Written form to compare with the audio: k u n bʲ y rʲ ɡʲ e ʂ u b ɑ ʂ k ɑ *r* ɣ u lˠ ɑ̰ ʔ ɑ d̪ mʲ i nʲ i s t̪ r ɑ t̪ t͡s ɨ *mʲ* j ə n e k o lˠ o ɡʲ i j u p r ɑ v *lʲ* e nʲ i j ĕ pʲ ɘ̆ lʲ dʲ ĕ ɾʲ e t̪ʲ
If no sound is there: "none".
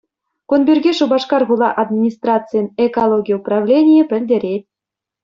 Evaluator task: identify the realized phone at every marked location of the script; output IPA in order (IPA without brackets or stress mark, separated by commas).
r, none, lʲ